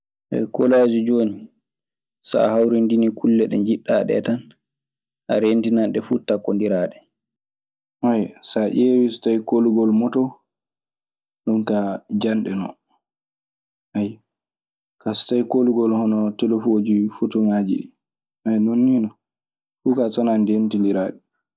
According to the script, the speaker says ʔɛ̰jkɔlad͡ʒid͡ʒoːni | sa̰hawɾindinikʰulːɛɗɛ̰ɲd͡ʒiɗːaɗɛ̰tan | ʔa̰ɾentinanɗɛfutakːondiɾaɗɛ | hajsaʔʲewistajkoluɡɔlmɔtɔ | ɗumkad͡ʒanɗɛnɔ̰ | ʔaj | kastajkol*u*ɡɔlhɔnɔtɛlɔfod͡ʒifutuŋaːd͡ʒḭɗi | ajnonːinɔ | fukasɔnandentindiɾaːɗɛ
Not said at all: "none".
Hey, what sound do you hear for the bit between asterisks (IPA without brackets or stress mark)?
u